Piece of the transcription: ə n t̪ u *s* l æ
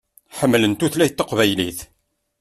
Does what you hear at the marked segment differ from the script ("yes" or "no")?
yes